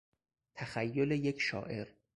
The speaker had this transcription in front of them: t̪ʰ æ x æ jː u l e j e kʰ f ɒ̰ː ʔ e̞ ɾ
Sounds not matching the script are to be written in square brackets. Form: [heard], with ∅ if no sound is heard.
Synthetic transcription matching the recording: t̪ʰ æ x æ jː [o] l e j e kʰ [ʃ] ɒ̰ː ʔ e̞ ɾ